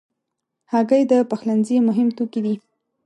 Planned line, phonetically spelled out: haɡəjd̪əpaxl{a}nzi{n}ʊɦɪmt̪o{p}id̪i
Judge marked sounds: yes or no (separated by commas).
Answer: yes, no, no